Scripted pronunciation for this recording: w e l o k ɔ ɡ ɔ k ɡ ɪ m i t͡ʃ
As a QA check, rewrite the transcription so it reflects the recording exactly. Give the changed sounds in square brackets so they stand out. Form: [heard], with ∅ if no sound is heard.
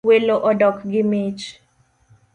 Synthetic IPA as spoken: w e l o [ʔ] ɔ [d] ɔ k ɡ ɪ m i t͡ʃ